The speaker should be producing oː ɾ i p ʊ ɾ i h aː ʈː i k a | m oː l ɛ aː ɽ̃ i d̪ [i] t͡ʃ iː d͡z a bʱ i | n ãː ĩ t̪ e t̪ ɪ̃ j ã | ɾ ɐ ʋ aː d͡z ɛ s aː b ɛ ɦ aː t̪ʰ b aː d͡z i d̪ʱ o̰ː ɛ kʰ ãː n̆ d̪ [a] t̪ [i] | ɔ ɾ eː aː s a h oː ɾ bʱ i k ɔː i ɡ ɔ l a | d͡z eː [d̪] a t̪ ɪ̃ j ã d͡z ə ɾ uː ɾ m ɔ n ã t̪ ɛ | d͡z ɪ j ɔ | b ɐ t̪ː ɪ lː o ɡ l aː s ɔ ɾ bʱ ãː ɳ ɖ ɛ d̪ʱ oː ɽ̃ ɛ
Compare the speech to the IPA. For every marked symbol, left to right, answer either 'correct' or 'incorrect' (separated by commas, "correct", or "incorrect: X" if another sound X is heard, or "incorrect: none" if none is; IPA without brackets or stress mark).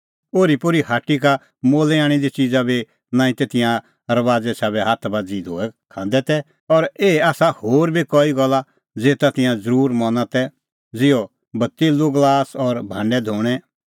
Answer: correct, incorrect: ɛ, incorrect: ɛ, incorrect: t̪